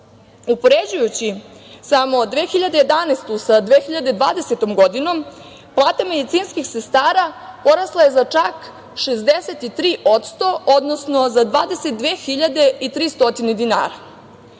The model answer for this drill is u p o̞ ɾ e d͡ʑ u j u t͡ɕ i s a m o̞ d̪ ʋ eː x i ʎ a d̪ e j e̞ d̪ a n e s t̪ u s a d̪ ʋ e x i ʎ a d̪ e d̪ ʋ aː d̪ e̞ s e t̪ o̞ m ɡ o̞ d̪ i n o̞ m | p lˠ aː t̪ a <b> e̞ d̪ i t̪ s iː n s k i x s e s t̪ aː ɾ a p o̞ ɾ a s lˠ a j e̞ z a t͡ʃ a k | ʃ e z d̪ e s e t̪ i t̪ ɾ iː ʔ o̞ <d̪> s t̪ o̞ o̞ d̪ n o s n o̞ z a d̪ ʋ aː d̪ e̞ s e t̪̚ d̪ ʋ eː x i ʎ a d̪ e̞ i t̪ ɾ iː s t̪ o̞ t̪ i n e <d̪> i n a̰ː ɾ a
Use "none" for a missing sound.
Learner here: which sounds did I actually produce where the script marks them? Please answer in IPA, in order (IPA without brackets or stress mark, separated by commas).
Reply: m, t̪, d̪